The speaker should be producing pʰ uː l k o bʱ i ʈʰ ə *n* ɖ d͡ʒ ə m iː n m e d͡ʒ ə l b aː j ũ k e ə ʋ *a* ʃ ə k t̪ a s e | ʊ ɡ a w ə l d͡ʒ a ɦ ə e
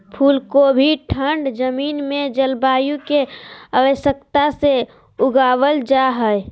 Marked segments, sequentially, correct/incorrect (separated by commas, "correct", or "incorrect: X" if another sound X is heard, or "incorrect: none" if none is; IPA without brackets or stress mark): incorrect: ɳ, incorrect: ə